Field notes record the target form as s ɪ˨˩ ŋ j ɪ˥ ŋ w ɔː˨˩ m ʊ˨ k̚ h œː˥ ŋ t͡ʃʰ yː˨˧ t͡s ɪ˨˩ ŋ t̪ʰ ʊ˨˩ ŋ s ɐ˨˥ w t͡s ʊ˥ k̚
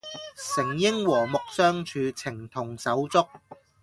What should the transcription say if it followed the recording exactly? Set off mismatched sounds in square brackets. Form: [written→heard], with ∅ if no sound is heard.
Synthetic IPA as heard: s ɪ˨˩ ŋ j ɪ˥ ŋ w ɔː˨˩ m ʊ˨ k̚ [h→s] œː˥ ŋ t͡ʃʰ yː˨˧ [t͡s→t͡sʰ] ɪ˨˩ ŋ t̪ʰ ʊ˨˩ ŋ s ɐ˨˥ w t͡s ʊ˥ k̚